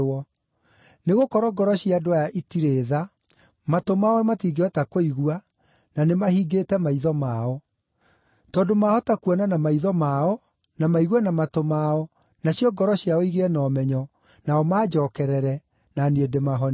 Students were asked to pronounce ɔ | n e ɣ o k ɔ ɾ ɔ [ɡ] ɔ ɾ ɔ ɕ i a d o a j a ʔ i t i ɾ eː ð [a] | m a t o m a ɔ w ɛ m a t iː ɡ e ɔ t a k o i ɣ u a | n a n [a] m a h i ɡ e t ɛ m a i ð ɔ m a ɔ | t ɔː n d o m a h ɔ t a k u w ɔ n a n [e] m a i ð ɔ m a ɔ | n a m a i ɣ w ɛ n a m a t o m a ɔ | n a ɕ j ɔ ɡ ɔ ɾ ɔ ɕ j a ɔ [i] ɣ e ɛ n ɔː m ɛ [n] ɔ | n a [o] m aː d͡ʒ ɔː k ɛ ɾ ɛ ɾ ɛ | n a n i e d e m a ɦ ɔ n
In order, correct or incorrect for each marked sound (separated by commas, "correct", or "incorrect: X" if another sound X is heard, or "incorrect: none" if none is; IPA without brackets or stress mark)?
correct, correct, incorrect: e, incorrect: a, correct, incorrect: ɲ, incorrect: ɔ